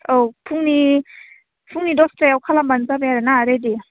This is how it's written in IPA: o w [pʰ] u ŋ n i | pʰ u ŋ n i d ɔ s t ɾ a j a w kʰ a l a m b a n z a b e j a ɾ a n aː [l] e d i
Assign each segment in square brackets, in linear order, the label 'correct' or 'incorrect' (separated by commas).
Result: correct, incorrect